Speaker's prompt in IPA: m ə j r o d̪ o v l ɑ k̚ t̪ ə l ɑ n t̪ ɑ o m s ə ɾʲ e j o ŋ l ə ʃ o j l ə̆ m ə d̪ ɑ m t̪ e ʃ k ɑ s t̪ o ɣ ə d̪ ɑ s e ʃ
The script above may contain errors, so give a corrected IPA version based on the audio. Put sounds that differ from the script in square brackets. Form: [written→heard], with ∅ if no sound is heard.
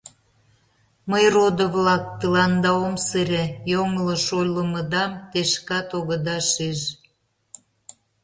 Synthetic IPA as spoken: m ə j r o d̪ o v l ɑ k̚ t̪ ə l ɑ n [t̪→d̪] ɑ o m s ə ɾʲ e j o ŋ l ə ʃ o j l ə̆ m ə d̪ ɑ m t̪ e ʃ k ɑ [s→∅] t̪ o ɣ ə d̪ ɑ [s→ʃ] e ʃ